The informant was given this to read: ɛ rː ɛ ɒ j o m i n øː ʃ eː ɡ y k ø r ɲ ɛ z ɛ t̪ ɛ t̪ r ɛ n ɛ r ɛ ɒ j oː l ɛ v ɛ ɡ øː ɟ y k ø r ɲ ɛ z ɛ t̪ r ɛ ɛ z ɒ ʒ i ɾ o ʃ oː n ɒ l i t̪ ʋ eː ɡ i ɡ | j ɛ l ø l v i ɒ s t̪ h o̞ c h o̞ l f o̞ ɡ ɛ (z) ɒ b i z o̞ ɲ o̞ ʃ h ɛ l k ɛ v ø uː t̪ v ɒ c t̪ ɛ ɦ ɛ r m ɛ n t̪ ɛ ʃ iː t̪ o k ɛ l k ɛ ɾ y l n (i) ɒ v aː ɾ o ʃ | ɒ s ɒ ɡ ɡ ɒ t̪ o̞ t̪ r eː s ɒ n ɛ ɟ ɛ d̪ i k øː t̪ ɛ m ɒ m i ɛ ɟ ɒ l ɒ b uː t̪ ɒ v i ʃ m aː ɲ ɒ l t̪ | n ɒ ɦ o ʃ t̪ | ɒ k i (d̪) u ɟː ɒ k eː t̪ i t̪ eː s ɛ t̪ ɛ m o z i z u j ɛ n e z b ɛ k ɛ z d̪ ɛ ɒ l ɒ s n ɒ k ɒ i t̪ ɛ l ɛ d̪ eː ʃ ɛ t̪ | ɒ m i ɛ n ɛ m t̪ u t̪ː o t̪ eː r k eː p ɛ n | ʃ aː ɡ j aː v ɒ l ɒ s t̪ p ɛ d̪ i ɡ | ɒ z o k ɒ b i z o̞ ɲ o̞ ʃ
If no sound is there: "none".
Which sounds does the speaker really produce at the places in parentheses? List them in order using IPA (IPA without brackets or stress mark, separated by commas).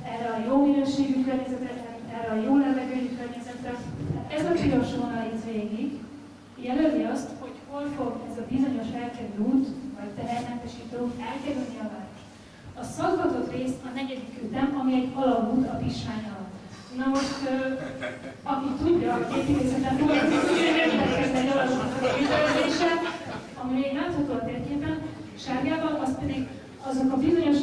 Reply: z, i, t̪